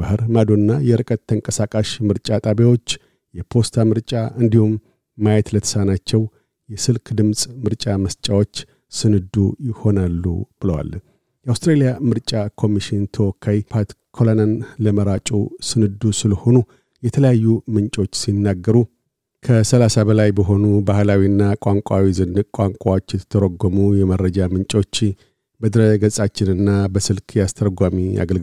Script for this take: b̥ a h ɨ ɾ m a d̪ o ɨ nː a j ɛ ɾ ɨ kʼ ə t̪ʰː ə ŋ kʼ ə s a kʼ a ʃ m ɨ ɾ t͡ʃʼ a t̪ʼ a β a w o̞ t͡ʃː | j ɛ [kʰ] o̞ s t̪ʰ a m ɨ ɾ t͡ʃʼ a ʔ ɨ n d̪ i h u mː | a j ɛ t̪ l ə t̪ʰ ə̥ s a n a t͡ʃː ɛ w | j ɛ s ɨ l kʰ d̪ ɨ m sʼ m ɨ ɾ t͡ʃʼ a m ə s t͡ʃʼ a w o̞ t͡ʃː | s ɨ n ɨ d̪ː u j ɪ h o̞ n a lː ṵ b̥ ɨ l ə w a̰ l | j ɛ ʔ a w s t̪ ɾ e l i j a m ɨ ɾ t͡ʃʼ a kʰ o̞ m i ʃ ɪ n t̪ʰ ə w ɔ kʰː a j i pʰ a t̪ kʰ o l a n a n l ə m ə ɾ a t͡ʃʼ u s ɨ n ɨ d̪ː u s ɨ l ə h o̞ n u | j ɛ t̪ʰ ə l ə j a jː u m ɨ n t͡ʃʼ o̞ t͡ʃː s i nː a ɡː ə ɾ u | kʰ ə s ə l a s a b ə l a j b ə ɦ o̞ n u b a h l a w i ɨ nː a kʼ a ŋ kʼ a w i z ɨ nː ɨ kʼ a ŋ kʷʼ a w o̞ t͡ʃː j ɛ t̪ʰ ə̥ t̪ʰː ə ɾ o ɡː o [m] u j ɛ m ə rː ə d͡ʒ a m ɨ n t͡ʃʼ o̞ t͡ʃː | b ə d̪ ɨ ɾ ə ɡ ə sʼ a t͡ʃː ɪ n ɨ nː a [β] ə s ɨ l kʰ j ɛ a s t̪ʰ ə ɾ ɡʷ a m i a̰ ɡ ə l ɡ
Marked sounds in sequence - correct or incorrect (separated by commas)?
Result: incorrect, correct, incorrect